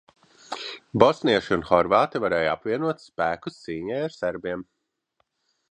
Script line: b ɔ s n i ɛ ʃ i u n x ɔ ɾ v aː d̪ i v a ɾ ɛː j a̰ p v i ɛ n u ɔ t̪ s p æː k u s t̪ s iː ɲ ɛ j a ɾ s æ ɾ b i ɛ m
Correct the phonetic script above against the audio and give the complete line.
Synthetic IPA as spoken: b ɔ s n i ɛ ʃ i u n x ɔ ɾ v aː t̪ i v a ɾ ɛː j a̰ p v i ɛ n u ɔ t̪ s p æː k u s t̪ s iː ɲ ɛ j a ɾ s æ ɾ b i ɛ m